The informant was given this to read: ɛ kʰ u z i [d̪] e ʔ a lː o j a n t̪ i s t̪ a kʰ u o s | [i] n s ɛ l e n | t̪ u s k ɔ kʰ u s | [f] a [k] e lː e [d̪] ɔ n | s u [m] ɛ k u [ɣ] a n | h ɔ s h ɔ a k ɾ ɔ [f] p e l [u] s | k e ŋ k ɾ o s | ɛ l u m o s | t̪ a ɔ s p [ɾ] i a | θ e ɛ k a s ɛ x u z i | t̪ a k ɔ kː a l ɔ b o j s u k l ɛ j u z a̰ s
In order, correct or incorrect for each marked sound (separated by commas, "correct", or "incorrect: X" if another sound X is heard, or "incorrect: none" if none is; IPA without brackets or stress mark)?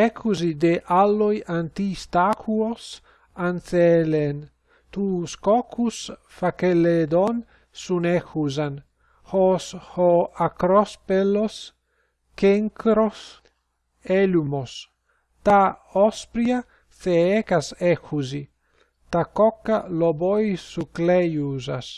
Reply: correct, incorrect: a, correct, correct, correct, incorrect: n, incorrect: z, incorrect: s, incorrect: o, correct